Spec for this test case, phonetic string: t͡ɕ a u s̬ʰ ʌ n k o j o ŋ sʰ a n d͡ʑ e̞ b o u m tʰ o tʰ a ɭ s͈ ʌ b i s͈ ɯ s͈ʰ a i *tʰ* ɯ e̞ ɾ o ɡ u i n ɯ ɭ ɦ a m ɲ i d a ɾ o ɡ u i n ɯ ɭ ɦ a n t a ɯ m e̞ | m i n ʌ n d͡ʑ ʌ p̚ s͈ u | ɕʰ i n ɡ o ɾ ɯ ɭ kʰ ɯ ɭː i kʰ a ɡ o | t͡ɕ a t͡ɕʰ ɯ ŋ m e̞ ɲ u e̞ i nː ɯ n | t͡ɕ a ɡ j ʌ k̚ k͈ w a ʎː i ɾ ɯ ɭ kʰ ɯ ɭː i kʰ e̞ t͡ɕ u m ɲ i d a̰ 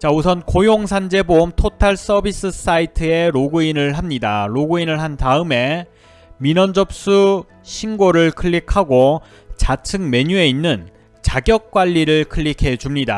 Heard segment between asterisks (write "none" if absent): tʰ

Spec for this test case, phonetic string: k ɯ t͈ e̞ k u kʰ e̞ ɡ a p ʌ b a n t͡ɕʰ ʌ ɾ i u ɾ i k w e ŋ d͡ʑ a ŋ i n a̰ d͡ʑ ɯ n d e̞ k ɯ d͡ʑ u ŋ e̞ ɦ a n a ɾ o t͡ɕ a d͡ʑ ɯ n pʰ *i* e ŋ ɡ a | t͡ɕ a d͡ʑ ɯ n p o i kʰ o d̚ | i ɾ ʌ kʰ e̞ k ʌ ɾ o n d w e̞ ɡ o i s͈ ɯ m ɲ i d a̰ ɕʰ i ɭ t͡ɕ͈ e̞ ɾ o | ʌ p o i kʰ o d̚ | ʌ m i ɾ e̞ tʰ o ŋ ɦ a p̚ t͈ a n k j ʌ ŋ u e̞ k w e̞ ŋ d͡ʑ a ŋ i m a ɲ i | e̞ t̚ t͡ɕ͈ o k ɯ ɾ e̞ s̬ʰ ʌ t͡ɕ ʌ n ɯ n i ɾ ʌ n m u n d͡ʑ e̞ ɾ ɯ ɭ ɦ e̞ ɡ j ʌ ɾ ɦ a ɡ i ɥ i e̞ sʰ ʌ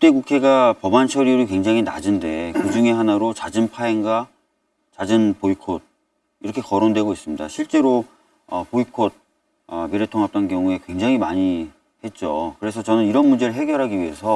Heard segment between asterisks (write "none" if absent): a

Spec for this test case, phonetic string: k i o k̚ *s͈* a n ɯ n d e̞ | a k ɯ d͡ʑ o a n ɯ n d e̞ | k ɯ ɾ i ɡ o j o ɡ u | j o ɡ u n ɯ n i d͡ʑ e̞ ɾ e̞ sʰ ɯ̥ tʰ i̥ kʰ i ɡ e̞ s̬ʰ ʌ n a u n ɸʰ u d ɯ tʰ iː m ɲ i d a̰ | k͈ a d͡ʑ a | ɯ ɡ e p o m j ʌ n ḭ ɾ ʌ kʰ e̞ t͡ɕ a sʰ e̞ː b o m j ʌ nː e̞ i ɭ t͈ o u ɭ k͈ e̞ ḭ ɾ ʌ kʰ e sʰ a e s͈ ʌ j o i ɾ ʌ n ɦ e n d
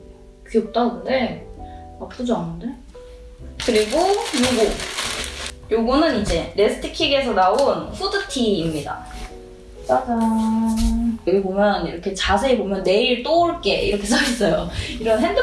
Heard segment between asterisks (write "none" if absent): t͈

